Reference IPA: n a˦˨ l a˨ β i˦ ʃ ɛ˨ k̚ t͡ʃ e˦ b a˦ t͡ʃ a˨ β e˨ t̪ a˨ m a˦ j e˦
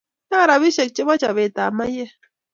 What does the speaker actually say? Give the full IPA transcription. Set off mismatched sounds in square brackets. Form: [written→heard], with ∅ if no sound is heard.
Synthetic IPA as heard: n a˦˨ [l→ɾ] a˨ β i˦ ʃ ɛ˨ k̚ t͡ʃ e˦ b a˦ t͡ʃ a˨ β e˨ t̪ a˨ m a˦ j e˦

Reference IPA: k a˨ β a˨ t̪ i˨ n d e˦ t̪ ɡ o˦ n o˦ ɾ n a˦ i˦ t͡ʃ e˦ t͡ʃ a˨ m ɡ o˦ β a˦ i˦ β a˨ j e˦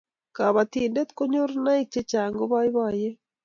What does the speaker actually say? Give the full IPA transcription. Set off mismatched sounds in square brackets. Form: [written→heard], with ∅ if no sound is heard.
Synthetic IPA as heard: k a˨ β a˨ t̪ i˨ n d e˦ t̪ [ɡ→k] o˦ [n→ɲ] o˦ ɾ n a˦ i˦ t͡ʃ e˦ t͡ʃ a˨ [m→ŋ] ɡ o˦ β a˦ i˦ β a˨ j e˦

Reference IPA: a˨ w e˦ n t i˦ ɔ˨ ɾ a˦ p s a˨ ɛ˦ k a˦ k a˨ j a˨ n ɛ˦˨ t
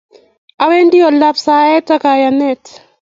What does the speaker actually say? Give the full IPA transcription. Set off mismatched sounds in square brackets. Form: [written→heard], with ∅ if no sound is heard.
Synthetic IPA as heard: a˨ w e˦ n [t→d] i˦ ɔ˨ [ɾ→l] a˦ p s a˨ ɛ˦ [k→t] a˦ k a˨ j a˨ n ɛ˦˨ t

